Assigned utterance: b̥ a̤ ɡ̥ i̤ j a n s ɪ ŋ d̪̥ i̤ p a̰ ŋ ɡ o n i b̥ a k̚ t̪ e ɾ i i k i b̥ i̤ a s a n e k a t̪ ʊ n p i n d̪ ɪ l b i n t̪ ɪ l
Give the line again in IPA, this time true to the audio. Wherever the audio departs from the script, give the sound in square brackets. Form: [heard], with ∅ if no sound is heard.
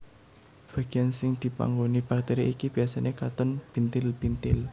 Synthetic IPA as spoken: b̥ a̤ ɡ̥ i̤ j a n s ɪ ŋ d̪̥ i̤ p a̰ ŋ ɡ o n i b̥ a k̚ t̪ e ɾ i i k i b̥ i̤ a s a n e k a t̪ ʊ n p i n [t̪] ɪ l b i n t̪ ɪ l